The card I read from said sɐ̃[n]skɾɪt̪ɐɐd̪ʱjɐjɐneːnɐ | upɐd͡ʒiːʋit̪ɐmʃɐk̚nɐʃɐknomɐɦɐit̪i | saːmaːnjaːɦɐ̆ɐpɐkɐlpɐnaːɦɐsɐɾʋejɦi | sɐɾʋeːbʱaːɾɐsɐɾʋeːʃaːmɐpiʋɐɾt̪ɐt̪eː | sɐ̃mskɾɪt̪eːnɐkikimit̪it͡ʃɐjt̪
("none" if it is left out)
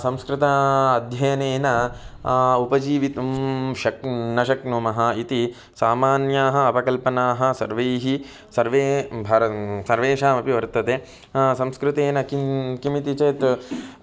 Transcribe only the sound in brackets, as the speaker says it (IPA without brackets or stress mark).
m